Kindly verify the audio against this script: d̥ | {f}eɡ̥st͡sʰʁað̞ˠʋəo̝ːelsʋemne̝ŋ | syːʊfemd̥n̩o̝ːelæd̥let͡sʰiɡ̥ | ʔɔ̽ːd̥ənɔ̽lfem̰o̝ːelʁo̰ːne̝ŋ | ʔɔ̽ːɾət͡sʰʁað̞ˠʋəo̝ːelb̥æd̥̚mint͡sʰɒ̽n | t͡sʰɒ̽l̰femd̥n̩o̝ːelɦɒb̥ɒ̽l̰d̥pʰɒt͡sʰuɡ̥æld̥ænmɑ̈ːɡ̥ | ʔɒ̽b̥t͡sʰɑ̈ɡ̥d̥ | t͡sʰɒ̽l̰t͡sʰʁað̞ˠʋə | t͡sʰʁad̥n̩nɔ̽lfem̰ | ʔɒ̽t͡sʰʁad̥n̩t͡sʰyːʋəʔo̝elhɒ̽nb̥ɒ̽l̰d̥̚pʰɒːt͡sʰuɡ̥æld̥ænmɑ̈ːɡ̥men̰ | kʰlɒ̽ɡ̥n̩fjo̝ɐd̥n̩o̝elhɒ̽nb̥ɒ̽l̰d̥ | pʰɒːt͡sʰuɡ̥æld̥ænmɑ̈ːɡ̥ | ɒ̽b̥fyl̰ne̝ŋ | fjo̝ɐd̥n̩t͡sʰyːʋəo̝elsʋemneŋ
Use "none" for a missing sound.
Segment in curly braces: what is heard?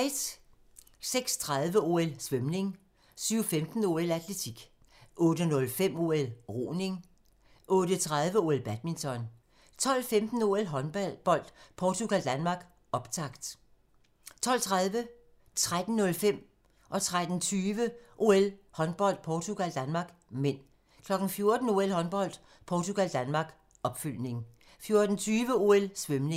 s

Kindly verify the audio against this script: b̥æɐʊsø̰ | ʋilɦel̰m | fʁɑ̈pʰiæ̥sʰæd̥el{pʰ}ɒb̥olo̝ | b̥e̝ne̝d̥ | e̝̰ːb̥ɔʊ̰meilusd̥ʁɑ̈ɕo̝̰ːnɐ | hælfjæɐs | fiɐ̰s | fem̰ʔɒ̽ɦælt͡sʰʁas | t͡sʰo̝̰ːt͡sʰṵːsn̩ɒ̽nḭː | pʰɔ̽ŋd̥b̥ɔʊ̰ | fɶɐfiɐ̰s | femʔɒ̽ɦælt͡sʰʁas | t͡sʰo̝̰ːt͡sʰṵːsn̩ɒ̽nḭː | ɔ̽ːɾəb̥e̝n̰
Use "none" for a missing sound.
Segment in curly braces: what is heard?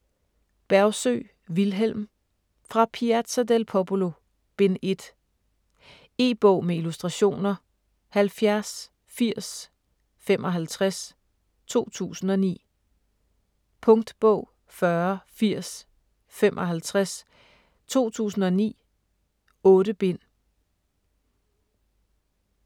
pʰ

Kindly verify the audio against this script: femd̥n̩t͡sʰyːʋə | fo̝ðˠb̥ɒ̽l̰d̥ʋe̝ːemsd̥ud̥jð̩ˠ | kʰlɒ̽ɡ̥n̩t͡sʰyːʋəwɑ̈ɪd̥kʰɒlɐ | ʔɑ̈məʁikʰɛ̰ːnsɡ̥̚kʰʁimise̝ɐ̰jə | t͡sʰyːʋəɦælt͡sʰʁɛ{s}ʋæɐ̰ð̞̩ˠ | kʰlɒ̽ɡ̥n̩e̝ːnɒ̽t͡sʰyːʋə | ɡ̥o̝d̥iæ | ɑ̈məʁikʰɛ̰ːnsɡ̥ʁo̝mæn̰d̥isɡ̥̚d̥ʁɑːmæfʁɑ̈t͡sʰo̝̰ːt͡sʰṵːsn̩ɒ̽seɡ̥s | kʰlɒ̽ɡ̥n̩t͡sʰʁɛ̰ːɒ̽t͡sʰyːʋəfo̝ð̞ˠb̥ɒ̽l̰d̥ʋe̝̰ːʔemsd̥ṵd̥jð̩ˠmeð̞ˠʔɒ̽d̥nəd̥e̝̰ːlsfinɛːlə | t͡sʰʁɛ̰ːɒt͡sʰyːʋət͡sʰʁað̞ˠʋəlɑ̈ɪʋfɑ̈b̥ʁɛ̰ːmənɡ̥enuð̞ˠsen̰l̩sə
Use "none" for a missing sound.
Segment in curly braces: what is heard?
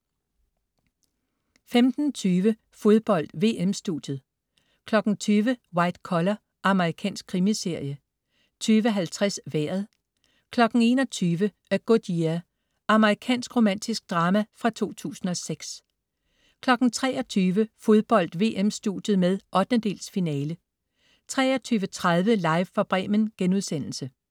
s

